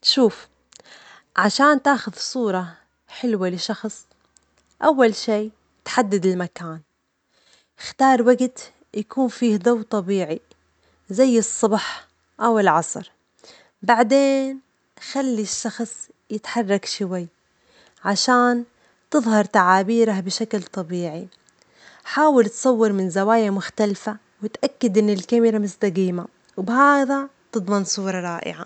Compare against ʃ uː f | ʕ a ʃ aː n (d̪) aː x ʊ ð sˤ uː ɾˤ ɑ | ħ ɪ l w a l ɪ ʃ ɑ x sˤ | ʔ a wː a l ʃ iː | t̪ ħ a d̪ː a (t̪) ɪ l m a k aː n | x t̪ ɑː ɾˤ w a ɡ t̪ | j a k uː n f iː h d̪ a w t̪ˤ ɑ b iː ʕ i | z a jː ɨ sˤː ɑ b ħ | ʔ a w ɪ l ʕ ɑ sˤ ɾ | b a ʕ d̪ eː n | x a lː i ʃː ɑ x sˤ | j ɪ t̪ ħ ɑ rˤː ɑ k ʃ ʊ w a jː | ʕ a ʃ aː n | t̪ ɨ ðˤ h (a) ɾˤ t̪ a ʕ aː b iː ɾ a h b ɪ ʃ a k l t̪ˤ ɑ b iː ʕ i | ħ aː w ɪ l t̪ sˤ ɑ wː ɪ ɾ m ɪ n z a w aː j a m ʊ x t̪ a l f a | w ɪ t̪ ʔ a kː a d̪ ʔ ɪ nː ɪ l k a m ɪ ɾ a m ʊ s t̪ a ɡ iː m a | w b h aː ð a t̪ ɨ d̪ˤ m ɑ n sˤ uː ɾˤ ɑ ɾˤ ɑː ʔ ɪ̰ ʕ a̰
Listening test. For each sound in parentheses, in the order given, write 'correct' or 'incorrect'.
incorrect: t̪, incorrect: d̪, incorrect: ɑ

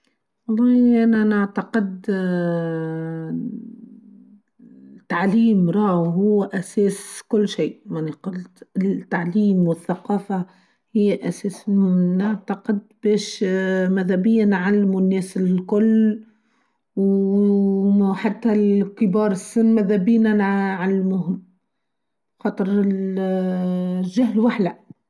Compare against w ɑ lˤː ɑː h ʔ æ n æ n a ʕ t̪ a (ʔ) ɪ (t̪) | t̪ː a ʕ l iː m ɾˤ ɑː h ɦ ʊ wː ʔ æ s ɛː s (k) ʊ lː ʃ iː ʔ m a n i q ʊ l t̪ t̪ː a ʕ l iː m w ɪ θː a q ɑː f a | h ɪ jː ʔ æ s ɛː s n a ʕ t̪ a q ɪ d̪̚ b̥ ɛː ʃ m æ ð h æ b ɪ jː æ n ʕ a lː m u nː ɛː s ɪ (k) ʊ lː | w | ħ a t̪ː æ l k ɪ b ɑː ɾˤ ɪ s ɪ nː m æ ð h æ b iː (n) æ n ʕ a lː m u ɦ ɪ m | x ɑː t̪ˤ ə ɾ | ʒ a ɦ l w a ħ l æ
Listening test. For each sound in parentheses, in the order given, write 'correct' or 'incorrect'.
incorrect: q, incorrect: d̪, correct, correct, correct

